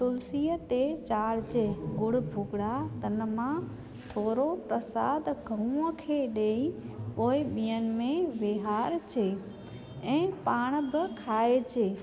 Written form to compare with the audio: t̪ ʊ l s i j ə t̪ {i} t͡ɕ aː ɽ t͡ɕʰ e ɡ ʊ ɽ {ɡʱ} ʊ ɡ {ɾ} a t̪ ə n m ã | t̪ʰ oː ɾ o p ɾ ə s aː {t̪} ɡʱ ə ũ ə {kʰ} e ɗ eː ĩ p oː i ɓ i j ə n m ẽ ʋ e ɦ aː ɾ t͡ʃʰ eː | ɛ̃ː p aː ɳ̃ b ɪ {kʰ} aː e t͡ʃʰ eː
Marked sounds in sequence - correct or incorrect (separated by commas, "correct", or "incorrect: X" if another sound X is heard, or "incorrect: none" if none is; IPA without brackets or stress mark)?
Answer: incorrect: e, incorrect: bʱ, incorrect: ɽ, incorrect: d̪, correct, correct